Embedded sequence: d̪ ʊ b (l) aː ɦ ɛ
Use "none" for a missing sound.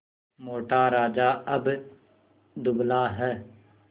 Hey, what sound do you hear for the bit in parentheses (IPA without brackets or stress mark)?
l